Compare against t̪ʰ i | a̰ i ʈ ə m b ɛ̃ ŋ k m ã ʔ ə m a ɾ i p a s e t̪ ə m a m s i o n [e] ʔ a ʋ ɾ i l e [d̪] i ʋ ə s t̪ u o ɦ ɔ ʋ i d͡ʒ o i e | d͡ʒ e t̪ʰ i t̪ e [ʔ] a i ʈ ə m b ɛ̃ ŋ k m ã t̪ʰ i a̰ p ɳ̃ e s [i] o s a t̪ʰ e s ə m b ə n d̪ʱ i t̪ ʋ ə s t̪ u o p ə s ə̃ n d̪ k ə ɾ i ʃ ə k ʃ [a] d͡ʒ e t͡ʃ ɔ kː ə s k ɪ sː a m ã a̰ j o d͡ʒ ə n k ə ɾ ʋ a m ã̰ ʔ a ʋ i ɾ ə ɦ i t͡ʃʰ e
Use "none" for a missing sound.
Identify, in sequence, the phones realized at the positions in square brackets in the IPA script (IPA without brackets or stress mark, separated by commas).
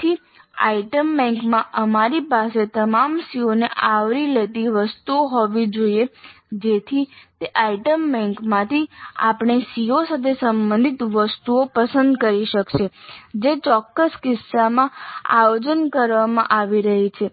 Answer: e, t̪, ʔ, i, e